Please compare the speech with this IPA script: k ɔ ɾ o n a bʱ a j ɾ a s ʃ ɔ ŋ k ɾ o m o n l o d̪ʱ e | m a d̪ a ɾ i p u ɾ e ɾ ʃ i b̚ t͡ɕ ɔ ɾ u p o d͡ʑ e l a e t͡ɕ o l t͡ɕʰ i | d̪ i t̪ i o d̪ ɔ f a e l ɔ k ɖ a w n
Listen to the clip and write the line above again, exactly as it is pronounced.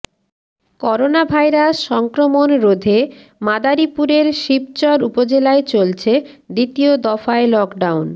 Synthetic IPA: k ɔ ɾ o n a bʱ a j ɾ a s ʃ ɔ ŋ k ɾ o m o n ɾ o d̪ʱ e | m a d̪ a ɾ i p u ɾ e ɾ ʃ i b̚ t͡ɕ ɔ ɾ u p o d͡ʑ e l a e t͡ɕ o l t͡ɕʰ e | d̪ i t̪ i o d̪ ɔ f a e l ɔ k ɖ a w n